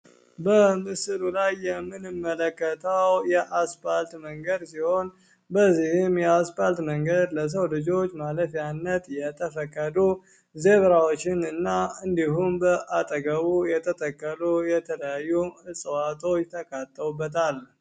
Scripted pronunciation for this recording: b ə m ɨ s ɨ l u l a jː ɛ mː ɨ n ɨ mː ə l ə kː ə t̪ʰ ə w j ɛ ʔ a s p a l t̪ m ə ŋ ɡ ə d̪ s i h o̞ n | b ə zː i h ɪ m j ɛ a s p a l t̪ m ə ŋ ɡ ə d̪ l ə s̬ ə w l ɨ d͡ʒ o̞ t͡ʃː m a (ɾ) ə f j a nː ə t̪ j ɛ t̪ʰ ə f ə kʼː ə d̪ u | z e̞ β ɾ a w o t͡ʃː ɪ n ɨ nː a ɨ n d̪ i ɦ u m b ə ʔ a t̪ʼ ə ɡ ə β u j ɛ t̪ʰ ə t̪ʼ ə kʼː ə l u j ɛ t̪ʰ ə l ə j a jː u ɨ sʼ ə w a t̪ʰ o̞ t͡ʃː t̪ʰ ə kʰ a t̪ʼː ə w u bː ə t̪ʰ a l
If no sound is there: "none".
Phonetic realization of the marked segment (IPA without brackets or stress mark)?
l